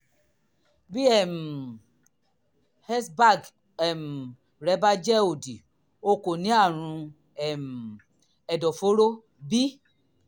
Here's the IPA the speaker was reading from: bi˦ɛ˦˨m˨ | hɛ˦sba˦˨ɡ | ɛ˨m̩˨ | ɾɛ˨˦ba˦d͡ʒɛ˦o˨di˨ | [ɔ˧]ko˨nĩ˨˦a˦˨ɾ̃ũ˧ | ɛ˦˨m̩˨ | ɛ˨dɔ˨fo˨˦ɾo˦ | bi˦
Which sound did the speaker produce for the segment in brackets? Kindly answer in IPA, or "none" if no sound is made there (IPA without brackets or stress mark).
o˧